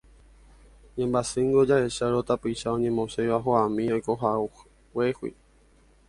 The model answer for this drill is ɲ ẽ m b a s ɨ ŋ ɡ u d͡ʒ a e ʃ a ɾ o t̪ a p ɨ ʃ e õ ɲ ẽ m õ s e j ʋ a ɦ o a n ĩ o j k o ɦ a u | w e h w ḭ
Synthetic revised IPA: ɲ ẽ m b a s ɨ ŋ ɡ o d͡ʒ a e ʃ a ɾ o t̪ a p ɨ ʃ a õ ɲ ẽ m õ s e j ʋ a ɦ o a m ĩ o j k o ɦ a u | w e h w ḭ